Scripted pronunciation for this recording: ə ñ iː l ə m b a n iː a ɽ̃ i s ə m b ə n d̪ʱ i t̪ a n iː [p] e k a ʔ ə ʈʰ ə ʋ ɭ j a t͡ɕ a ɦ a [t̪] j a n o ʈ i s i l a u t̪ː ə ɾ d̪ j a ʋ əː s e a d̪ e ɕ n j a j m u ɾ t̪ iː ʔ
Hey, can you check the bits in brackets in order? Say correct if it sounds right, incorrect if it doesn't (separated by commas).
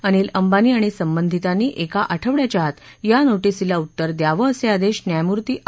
incorrect, correct